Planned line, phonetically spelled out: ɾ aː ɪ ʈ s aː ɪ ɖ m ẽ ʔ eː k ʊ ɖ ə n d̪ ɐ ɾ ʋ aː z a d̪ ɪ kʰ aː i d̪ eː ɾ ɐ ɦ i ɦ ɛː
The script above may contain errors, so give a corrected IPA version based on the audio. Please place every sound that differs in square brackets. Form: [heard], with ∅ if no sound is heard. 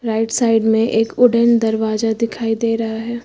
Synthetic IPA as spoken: ɾ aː ɪ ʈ s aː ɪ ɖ m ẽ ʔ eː k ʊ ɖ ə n d̪ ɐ ɾ ʋ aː z a d̪ ɪ kʰ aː i d̪ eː ɾ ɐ ɦ [a] ɦ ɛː